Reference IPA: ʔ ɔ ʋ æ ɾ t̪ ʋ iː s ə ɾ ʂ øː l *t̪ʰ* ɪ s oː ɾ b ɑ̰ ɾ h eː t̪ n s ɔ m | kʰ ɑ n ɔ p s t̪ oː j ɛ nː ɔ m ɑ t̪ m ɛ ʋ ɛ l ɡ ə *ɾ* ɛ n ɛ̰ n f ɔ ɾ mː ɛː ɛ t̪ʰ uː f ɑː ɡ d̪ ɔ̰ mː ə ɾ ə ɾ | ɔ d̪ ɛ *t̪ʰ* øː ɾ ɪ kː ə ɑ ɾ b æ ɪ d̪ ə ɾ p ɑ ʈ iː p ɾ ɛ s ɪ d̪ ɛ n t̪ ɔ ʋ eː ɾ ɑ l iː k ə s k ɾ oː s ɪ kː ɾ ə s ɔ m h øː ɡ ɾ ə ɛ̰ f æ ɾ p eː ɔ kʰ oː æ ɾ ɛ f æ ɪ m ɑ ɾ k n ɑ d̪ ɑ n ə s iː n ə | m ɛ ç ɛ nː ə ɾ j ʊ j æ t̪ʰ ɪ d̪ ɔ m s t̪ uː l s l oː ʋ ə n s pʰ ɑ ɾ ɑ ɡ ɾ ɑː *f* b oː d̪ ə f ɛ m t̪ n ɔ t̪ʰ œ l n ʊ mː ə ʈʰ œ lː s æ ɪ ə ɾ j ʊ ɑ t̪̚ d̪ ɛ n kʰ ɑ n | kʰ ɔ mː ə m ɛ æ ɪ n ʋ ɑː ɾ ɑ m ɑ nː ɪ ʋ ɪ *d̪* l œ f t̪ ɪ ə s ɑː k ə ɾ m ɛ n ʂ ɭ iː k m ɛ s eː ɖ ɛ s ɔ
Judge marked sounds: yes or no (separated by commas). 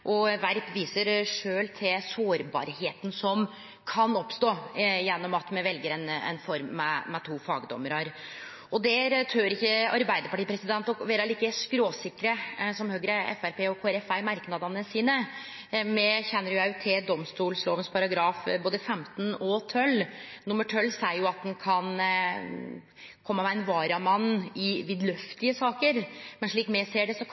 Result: yes, yes, yes, yes, yes